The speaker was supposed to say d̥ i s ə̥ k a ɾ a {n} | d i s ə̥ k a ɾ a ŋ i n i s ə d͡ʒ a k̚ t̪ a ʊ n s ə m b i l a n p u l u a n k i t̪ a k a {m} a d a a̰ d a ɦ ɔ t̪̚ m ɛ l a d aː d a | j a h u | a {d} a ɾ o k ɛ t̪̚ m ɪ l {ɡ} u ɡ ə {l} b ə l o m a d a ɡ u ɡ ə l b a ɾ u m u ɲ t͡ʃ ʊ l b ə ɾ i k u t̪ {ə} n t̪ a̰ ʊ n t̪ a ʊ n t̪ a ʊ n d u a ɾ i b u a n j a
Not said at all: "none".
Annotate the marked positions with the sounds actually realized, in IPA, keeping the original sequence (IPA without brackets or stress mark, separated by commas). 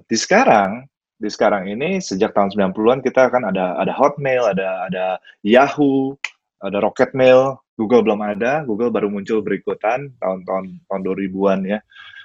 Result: ŋ, n, d, ɡ, l, a